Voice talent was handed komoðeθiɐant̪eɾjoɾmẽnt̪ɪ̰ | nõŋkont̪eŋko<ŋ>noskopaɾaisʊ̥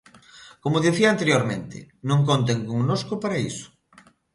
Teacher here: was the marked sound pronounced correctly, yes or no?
yes